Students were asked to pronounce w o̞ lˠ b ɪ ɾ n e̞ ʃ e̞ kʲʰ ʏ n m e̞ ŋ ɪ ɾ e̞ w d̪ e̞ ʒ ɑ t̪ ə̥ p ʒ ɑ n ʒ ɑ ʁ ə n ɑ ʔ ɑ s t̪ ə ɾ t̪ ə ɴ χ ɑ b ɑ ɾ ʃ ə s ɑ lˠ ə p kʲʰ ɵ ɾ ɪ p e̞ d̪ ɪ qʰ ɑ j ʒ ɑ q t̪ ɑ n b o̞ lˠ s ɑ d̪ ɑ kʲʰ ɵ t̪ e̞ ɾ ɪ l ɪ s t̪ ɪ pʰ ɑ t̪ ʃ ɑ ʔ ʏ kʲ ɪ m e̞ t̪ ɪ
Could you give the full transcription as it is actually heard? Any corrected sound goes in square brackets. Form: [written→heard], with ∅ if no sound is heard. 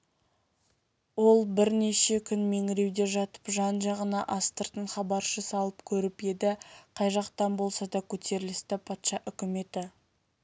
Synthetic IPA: w o̞ lˠ b ɪ ɾ n e̞ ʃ e̞ kʲʰ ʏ n m e̞ ŋ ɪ ɾ e̞ w d̪ e̞ ʒ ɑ t̪ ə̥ p ʒ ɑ n ʒ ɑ ʁ ə n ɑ ʔ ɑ s t̪ ə ɾ t̪ ə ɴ χ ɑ b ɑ ɾ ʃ ə s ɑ lˠ ə p kʲʰ ɵ ɾ ɪ p e̞ d̪ ɪ qʰ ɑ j ʒ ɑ q t̪ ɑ n b o̞ lˠ s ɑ d̪ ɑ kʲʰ ɵ t̪ e̞ ɾ ɪ l ɪ s t̪ ɪ pʰ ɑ t̪ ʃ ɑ ʔ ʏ kʲ ɪ m e̞ t̪ ɪ